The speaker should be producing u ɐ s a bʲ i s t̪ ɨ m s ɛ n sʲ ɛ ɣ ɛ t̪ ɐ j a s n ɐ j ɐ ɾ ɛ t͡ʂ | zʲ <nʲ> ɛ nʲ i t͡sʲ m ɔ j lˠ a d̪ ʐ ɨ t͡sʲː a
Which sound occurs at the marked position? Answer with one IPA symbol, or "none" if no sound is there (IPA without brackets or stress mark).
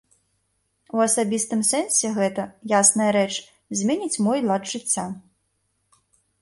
mʲ